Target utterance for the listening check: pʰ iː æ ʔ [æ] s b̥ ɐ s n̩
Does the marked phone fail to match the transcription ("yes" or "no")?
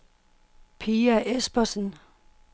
yes